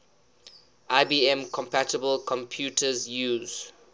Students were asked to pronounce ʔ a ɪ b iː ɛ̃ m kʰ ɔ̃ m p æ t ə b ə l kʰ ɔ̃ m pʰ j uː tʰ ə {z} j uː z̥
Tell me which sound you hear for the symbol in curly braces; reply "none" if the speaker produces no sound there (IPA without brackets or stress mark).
z